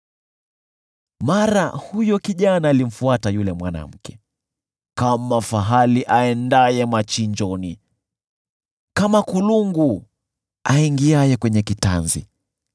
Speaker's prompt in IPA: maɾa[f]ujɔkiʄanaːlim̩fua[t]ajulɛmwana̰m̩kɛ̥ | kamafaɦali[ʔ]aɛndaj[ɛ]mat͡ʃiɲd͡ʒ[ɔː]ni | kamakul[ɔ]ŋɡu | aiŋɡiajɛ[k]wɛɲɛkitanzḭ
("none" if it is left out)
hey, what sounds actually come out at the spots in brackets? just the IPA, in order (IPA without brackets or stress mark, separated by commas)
h, t, ʔ, ɛ, ɔ, u, k